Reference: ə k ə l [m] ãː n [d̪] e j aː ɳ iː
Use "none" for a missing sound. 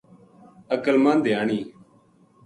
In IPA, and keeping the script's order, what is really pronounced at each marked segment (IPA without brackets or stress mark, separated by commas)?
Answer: m, d̪